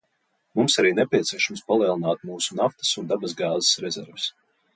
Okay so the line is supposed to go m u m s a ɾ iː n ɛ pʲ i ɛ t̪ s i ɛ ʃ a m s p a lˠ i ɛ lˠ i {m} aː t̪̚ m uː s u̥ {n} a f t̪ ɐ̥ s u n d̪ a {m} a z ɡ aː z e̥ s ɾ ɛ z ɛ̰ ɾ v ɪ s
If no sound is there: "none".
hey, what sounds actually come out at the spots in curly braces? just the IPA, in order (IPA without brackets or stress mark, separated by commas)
n, n, b